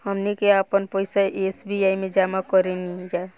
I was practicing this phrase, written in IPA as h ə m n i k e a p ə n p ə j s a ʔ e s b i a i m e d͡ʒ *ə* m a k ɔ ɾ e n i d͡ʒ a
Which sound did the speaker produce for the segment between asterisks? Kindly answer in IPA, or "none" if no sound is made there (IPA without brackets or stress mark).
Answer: a